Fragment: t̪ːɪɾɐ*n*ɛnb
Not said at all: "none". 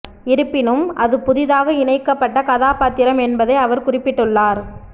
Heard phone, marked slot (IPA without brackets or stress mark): m